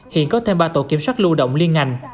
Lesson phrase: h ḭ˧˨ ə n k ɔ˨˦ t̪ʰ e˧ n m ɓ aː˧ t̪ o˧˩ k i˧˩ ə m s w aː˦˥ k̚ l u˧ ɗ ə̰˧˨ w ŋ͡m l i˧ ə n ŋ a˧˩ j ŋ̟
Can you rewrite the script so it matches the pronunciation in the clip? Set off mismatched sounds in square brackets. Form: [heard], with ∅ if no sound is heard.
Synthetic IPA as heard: h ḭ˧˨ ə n k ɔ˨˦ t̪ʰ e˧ [∅] m ɓ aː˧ t̪ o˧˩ k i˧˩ ə m s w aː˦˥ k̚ l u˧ ɗ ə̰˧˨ w ŋ͡m l i˧ ə n ŋ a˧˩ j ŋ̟